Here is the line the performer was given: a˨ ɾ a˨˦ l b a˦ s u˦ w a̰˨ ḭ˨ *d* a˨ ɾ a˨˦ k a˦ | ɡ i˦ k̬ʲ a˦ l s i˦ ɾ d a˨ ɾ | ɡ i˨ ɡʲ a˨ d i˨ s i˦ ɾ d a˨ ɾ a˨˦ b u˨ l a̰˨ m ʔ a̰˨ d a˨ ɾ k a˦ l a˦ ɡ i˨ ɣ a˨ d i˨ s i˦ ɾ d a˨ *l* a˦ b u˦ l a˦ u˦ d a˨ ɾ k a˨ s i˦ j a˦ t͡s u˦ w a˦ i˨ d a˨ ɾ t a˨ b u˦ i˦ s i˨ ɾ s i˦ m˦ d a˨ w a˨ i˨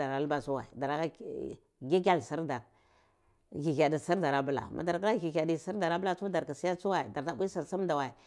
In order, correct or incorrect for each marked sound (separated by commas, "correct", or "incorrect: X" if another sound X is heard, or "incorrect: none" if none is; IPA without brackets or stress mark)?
correct, incorrect: ɾ